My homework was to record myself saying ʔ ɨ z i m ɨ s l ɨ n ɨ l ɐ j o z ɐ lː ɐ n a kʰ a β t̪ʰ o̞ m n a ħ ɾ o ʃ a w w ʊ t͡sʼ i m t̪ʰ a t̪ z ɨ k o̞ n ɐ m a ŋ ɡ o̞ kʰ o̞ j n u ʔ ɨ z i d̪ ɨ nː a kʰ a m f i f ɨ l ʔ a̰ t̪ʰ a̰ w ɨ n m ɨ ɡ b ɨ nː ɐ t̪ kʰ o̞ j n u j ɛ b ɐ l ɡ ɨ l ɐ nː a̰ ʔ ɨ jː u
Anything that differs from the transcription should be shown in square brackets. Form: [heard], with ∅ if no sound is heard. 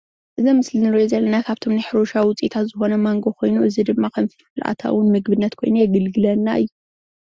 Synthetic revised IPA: ʔ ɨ z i m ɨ s l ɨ n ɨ [ɾ] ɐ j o z ɐ lː ɐ n a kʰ a β t̪ʰ o̞ m n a ħ ɾ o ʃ a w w ʊ t͡sʼ i [∅] t̪ʰ a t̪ z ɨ [x] o̞ n ɐ m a ŋ ɡ o̞ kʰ o̞ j n u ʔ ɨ z i d̪ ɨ [mː] a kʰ [ɐ] m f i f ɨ l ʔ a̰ t̪ʰ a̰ w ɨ n m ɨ ɡ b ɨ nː ɐ t̪ kʰ o̞ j n u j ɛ [ɡ] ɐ l ɡ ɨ l ɐ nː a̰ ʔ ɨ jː u